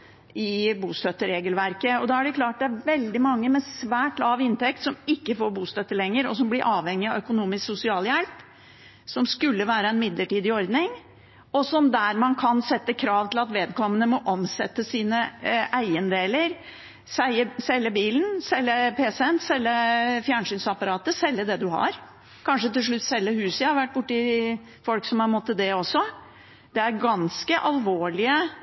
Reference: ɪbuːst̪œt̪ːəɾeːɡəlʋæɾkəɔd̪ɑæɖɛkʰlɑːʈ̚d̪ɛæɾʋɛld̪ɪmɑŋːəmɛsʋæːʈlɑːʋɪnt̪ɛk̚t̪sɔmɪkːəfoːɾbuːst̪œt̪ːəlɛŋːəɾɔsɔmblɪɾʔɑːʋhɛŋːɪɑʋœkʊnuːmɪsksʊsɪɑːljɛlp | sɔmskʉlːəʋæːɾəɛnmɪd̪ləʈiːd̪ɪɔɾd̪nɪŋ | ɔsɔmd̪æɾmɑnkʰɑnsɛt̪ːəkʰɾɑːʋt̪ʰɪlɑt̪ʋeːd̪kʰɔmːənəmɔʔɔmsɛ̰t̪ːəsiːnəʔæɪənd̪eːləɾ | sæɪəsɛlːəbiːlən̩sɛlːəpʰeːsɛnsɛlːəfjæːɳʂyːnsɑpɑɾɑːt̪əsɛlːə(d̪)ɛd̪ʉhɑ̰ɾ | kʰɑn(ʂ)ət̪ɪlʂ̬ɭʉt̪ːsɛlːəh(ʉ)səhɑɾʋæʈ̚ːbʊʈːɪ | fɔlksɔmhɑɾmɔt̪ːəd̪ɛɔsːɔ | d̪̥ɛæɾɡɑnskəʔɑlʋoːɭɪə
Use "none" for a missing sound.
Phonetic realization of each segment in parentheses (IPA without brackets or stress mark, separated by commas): d̪, ʂ, ʉː